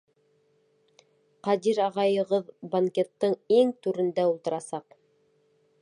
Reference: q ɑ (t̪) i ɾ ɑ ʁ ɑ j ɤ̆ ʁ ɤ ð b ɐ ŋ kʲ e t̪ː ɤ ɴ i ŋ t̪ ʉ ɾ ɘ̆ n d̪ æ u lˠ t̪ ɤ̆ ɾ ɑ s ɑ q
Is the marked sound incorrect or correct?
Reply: incorrect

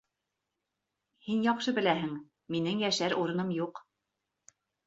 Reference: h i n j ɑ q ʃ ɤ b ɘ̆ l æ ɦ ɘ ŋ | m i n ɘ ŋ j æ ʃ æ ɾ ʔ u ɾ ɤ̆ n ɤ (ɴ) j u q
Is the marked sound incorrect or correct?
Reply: incorrect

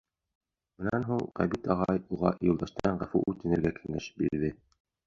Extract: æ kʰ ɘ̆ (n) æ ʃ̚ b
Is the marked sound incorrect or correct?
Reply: incorrect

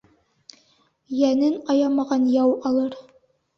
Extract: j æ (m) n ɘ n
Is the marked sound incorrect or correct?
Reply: incorrect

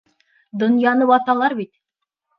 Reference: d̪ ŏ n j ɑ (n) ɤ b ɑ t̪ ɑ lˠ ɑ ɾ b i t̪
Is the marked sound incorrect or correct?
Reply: correct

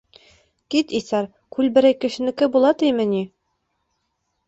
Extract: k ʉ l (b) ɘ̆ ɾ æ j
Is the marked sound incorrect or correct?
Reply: correct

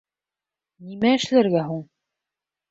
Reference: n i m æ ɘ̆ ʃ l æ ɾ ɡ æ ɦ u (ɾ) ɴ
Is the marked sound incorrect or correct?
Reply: incorrect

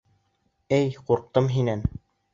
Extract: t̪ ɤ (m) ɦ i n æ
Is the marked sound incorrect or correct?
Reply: correct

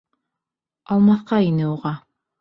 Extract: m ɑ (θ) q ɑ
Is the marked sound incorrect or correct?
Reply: correct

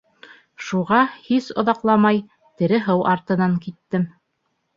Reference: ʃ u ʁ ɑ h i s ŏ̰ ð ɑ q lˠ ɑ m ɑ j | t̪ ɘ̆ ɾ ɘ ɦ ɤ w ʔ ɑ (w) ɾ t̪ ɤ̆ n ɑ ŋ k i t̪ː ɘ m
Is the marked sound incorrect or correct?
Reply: incorrect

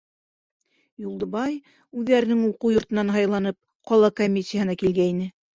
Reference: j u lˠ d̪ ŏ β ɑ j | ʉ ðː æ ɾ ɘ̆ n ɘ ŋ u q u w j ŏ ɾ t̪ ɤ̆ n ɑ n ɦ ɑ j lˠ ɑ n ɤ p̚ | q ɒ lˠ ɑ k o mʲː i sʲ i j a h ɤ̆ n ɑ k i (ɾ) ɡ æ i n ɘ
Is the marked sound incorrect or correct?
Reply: incorrect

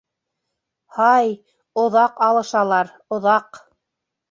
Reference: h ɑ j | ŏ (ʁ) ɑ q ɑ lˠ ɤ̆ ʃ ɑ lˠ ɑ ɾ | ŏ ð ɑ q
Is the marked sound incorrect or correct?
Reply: incorrect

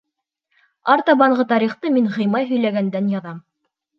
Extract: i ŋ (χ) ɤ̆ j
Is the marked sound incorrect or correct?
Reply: incorrect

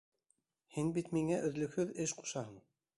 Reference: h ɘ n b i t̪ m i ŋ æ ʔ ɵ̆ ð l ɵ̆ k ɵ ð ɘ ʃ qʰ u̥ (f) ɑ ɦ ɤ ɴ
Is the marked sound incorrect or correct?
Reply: incorrect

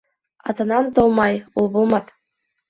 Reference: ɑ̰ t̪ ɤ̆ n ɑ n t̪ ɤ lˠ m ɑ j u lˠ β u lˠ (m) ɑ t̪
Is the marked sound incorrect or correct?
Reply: correct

